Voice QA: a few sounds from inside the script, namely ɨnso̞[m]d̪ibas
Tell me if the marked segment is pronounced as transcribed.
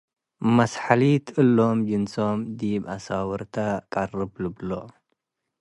yes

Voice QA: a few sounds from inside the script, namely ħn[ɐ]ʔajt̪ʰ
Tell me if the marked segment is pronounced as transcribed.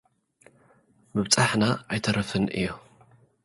no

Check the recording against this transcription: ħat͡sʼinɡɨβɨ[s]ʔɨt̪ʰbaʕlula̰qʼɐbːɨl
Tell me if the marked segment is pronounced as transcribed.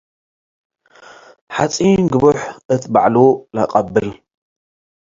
no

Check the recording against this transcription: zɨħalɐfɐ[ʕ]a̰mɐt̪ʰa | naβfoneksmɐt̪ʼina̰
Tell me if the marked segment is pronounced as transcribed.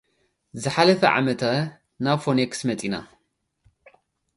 yes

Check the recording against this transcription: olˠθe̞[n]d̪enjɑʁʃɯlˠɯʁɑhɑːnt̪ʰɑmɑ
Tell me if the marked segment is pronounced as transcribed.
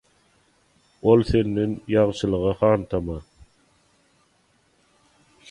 yes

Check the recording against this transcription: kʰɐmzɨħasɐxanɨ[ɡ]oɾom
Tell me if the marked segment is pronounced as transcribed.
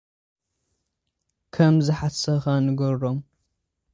yes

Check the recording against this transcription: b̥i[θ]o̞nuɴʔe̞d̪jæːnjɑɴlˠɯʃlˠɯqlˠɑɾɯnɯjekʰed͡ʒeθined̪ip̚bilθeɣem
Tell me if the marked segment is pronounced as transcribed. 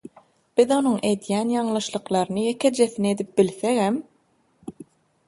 no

